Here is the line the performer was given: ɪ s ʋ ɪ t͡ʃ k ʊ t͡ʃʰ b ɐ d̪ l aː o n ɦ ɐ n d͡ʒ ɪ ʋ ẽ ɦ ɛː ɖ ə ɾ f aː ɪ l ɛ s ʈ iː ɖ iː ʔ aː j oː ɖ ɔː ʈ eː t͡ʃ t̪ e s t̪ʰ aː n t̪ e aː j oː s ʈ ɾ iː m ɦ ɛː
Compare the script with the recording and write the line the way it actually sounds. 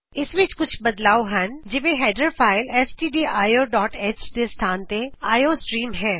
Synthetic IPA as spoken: ɪ s ʋ ɪ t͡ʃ k ʊ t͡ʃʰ b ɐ d̪ l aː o ɦ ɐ n d͡ʒ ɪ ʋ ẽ ɦ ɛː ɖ ə ɾ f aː ɪ l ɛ s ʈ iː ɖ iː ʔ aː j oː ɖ ɔː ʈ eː t͡ʃ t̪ e s t̪ʰ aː n t̪ e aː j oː s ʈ ɾ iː m ɦ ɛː